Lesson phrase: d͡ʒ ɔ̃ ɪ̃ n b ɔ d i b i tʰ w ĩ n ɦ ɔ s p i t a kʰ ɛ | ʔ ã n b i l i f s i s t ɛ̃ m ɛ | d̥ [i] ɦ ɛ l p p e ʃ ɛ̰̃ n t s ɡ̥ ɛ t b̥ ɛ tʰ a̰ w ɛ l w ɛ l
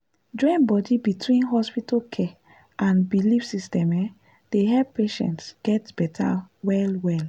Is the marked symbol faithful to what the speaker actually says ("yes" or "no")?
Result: no